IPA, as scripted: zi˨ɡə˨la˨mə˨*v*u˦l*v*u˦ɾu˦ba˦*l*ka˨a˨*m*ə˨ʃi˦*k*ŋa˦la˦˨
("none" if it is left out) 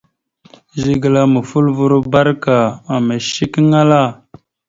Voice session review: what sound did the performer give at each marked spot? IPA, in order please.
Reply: f, v, ɾ, m, k

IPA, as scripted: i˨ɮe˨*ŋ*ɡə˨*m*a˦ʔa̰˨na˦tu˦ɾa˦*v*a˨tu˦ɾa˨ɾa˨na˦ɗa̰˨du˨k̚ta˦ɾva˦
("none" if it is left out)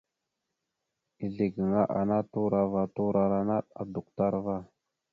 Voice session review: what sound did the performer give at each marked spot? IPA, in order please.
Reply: none, ŋ, v

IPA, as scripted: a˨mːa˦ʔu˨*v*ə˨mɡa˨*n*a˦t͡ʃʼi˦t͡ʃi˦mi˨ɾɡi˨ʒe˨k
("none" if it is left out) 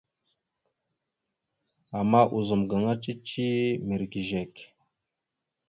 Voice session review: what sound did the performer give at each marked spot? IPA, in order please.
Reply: z, ŋ

